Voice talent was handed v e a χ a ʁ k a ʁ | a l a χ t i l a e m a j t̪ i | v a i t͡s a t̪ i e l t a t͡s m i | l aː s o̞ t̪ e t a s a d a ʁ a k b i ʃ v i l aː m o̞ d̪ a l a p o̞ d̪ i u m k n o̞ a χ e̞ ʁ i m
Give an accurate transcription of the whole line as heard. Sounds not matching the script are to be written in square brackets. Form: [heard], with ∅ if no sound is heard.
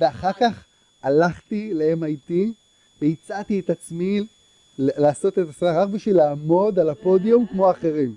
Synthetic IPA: v e a χ a ʁ k a [χ] | a l a χ t i l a e m a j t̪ i | v [e] i t͡s a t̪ i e [∅] t a t͡s m i | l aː s o̞ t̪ e t a s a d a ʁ a k b i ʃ v i l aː m o̞ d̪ a l a p o̞ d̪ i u m k [m] o̞ a χ e̞ ʁ i m